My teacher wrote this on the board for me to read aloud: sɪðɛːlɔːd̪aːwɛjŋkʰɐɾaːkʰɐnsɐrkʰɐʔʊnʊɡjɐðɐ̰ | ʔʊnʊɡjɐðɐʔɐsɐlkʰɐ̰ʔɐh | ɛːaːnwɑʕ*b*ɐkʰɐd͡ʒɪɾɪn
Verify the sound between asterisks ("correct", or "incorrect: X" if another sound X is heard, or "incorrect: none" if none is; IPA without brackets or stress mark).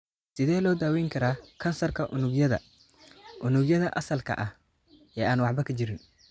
correct